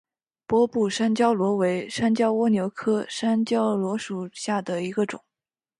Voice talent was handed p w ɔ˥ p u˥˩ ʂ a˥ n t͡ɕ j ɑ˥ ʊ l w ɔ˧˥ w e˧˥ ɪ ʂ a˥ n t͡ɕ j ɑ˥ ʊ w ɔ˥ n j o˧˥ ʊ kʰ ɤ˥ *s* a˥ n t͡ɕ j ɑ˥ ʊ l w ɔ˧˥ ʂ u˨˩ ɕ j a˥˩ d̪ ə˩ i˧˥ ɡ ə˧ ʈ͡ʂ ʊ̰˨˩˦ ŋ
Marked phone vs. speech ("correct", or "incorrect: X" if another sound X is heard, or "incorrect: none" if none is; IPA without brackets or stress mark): incorrect: ʂ